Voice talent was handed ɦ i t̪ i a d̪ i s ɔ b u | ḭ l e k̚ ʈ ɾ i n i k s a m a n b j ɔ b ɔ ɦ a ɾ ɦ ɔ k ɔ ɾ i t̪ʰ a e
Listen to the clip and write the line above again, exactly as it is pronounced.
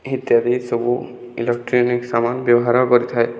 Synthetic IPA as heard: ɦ i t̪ j a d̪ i s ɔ b u | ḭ l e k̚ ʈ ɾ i n i k s a m a n b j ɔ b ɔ ɦ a ɾ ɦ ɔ k ɔ ɾ i t̪ʰ a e